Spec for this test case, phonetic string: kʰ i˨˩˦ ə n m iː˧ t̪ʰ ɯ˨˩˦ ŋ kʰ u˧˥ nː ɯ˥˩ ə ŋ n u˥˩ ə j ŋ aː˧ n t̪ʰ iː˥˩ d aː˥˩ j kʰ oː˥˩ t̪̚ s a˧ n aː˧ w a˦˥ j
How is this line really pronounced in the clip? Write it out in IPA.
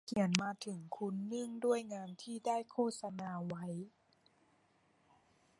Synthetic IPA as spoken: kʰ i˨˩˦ ə n m aː˧ t̪ʰ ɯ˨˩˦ ŋ kʰ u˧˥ nː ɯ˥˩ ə ŋ d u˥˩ ə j ŋ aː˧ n t̪ʰ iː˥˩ d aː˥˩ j kʰ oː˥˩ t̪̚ s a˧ n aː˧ w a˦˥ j